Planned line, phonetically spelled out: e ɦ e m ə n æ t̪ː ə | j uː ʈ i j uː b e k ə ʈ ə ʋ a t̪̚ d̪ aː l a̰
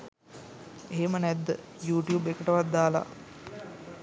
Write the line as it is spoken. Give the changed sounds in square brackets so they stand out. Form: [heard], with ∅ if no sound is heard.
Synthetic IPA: e ɦ e m ə n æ [d̪ː] ə | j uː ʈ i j uː b e k ə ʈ ə ʋ a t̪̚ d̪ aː l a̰